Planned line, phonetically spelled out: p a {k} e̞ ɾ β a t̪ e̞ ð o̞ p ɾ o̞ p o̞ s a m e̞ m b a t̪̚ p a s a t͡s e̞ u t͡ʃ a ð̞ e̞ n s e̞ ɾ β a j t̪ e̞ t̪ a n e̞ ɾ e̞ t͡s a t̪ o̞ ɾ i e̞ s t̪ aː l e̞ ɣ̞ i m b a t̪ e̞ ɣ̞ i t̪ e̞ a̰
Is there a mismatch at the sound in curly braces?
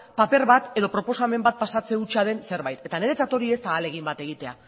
yes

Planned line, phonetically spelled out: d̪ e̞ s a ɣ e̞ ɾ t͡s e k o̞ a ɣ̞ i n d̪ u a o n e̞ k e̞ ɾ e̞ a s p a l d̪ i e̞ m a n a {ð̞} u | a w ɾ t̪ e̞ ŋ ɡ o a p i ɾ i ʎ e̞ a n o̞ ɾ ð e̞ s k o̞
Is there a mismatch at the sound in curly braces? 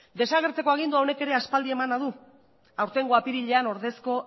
no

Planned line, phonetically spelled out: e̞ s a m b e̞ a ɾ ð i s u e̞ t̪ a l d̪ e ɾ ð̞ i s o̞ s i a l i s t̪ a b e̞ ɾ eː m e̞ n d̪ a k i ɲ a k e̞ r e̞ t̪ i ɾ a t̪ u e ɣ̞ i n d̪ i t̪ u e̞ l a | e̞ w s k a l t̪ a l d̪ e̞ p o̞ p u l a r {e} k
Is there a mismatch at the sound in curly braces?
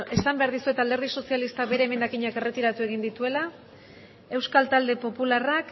yes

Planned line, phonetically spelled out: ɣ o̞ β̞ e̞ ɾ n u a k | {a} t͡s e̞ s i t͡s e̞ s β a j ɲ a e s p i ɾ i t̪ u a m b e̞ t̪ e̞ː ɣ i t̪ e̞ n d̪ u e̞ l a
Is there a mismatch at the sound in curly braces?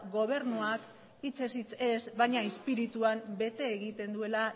yes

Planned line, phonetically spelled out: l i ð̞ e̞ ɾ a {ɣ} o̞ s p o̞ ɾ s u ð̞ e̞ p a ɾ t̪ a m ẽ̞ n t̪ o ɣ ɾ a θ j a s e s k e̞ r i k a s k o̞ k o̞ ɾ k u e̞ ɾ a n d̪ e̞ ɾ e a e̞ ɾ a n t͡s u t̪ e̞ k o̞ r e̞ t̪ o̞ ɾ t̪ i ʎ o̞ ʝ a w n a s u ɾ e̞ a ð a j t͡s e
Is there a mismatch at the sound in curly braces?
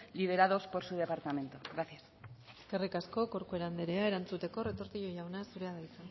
yes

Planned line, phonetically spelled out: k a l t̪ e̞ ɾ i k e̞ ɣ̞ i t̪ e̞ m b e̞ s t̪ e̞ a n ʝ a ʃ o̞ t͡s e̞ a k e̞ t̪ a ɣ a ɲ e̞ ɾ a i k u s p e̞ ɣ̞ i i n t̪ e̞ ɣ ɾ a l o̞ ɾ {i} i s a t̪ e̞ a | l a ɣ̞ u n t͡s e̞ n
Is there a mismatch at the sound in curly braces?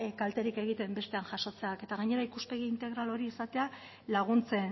no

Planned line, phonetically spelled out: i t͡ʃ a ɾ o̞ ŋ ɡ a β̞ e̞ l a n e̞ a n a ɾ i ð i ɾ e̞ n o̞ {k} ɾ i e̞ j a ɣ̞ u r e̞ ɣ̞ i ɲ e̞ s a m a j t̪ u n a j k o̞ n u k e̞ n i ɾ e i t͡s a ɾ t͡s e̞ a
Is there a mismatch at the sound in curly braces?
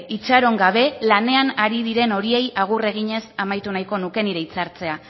yes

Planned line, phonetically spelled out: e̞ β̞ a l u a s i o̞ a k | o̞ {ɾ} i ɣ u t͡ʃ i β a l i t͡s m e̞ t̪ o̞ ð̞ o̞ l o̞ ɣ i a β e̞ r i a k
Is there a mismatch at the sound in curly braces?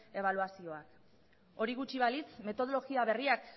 no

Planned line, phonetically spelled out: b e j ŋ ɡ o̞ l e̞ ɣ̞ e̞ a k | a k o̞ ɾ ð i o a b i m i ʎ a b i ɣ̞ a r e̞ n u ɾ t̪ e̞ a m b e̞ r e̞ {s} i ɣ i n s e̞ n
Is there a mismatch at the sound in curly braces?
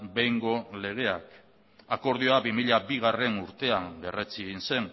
yes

